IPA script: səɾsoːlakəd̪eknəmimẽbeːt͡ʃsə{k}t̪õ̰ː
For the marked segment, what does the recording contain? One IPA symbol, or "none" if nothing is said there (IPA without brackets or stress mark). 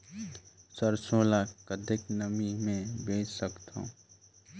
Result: k